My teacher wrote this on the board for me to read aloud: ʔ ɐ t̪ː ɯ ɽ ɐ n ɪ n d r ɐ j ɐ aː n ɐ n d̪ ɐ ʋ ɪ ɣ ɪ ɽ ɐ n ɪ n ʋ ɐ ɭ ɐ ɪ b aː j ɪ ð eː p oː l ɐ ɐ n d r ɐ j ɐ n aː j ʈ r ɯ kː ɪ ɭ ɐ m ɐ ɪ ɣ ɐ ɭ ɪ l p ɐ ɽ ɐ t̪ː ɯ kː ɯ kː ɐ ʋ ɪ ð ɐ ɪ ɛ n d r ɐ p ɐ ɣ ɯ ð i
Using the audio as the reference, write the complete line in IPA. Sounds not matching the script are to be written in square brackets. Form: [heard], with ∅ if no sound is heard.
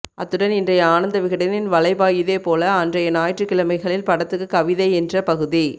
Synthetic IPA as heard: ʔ ɐ t̪ː ɯ ɽ ɐ n ɪ n d r ɐ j ɐ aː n ɐ n d̪ ɐ ʋ ɪ ɣ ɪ ɽ ɐ n ɪ n ʋ ɐ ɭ ɐ ɪ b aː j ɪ ð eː p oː l ɐ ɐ n d r ɐ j ɐ n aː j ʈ r ɯ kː ɪ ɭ ɐ m ɐ ɪ ɣ ɐ ɭ ɪ l p ɐ ɽ ɐ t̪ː ɯ kː ɯ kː ɐ ʋ ɪ ð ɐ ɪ ɛ n d r ɐ p ɐ ɣ ɯ ð i

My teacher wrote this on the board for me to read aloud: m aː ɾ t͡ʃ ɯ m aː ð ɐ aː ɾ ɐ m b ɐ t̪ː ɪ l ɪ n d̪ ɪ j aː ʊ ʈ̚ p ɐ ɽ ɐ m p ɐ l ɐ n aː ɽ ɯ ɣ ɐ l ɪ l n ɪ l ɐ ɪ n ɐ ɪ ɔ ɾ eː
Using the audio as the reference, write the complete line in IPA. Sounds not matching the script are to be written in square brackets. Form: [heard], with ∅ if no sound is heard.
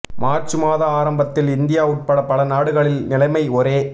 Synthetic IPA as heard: m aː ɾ t͡ʃ ɯ m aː ð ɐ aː ɾ ɐ m b ɐ t̪ː ɪ l ɪ n d̪ ɪ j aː ʊ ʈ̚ p ɐ ɽ ɐ [∅] p ɐ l ɐ n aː ɽ ɯ ɣ ɐ [ɭ] ɪ l n ɪ l ɐ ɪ [m] ɐ ɪ ɔ ɾ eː

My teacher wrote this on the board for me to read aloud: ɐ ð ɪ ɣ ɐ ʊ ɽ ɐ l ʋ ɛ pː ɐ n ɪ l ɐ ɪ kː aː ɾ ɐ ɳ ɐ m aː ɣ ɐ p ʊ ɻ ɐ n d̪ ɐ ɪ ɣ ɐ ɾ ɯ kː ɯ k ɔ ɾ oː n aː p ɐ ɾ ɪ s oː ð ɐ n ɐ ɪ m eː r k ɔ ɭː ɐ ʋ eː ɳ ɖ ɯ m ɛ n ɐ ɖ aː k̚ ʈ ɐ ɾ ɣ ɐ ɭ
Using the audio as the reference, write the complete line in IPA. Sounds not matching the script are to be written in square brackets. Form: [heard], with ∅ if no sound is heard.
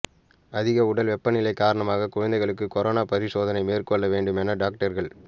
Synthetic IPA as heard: ɐ ð ɪ ɣ ɐ ʊ ɽ ɐ l ʋ ɛ pː ɐ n ɪ l ɐ ɪ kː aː ɾ ɐ ɳ ɐ m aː ɣ ɐ [k] ʊ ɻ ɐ n d̪ ɐ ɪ ɣ ɐ [ɭ] ɯ kː ɯ k ɔ ɾ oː n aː p ɐ ɾ ɪ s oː ð ɐ n ɐ ɪ m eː r k ɔ ɭː ɐ ʋ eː ɳ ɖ ɯ m ɛ n ɐ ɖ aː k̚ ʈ ɐ ɾ ɣ ɐ ɭ

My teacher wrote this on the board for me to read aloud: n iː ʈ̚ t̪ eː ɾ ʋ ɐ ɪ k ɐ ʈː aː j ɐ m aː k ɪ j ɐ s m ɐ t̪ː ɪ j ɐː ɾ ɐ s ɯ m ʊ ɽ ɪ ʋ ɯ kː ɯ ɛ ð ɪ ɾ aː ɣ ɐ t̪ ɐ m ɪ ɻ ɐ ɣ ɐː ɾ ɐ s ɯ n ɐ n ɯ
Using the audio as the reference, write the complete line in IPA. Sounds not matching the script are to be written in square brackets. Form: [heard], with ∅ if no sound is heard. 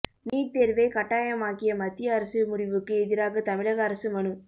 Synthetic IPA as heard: n iː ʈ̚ t̪ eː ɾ ʋ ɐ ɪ k ɐ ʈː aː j ɐ m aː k ɪ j ɐ [∅] m ɐ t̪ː ɪ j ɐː ɾ ɐ s ɯ m ʊ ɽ ɪ ʋ ɯ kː ɯ ɛ ð ɪ ɾ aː ɣ ɐ t̪ ɐ m ɪ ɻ ɐ ɣ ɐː ɾ ɐ s ɯ [m] ɐ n ɯ

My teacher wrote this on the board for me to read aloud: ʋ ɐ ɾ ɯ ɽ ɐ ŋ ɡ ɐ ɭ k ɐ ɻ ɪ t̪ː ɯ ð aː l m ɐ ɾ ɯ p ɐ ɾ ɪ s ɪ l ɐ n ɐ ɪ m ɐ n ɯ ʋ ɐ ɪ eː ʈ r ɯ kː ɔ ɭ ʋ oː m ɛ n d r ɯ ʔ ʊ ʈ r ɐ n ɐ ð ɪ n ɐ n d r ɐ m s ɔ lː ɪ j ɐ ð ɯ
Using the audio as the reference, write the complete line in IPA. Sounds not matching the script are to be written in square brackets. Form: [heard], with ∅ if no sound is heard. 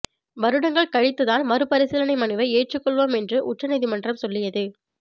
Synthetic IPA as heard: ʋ ɐ ɾ ɯ ɽ ɐ ŋ ɡ ɐ ɭ k ɐ ɻ ɪ t̪ː ɯ ð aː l m ɐ ɾ ɯ p ɐ ɾ ɪ s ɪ l ɐ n ɐ ɪ m ɐ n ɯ ʋ ɐ ɪ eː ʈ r ɯ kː ɔ ɭ ʋ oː m ɛ n d r ɯ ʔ ʊ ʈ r ɐ n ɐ ð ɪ [m] ɐ n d r ɐ m s ɔ lː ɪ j ɐ ð ɯ

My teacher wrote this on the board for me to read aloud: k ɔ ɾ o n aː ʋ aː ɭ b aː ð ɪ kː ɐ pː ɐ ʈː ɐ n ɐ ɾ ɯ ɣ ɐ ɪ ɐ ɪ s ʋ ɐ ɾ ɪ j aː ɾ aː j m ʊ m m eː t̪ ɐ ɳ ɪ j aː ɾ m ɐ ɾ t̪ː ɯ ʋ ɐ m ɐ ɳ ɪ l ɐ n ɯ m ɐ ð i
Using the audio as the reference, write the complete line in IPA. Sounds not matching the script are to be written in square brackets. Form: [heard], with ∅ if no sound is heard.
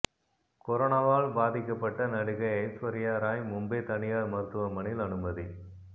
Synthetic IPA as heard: k ɔ ɾ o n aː ʋ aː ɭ b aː ð ɪ kː ɐ pː ɐ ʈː ɐ n ɐ [ɽ] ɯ ɣ ɐ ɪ ɐ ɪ s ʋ ɐ ɾ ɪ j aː ɾ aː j m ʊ m [b] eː t̪ ɐ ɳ ɪ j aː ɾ m ɐ ɾ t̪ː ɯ ʋ ɐ m ɐ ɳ ɪ l ɐ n ɯ m ɐ ð i

